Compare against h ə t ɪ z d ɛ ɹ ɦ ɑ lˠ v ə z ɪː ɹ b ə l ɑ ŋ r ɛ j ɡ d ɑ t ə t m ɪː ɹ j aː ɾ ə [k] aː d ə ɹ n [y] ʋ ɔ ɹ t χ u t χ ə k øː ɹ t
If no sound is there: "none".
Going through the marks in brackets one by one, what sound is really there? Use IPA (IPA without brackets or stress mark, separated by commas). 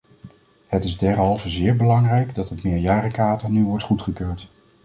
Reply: k, y